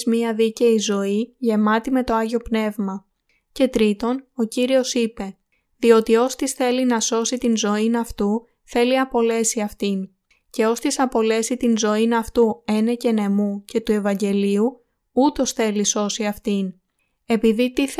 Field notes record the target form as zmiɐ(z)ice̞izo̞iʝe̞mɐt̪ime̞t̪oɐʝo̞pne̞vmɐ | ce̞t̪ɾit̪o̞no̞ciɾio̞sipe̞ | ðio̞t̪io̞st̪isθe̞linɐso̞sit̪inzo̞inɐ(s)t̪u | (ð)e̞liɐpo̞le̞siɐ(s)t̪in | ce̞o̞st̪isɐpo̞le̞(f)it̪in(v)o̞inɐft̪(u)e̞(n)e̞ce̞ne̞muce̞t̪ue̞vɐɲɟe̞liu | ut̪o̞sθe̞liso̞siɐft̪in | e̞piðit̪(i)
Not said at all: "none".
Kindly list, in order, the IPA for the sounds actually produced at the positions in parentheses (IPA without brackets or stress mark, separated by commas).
ð, f, θ, f, s, z, u, n, i